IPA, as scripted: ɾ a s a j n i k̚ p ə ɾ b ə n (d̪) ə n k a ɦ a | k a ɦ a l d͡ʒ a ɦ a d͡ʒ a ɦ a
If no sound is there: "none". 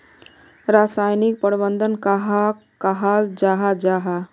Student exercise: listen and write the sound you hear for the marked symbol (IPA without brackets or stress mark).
d̪